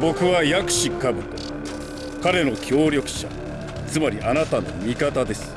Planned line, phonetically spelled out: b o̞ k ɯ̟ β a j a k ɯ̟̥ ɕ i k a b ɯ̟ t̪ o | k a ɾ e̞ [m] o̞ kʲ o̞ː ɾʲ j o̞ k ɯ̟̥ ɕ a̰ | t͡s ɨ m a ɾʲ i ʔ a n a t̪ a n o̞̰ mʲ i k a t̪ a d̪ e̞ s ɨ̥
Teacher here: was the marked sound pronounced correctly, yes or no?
no